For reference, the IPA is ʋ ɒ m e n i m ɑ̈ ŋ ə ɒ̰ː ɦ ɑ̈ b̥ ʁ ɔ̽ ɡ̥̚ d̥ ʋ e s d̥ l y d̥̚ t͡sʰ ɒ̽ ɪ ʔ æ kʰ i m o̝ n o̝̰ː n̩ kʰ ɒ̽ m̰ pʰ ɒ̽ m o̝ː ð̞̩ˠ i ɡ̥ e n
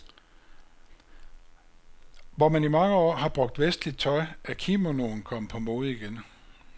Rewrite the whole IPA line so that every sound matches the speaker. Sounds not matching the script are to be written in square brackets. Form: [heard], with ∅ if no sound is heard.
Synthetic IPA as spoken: ʋ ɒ m [æ] n i m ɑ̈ ŋ ə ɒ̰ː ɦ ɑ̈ b̥ ʁ ɔ̽ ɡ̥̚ d̥ ʋ e s d̥ l [i] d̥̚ t͡sʰ ɒ̽ ɪ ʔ æ kʰ i m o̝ n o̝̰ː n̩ kʰ ɒ̽ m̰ pʰ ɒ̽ m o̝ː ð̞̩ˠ i ɡ̥ e n